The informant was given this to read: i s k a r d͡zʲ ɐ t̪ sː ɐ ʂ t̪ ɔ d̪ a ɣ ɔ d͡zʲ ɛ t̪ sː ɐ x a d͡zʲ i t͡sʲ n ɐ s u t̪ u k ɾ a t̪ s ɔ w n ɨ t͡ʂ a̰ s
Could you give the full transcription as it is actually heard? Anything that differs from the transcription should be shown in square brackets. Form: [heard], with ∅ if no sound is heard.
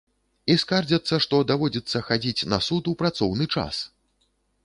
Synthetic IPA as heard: i s k a r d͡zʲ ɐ t̪ sː ɐ ʂ t̪ ɔ d̪ a [v] ɔ d͡zʲ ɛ t̪ sː ɐ x a d͡zʲ i t͡sʲ n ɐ s u t̪ u [p] ɾ a t̪ s ɔ w n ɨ t͡ʂ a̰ s